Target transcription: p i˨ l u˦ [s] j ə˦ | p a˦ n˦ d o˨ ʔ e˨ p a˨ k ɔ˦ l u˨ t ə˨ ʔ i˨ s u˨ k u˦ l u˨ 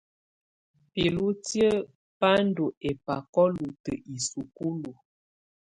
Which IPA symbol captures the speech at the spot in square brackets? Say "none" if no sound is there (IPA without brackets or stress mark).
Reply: t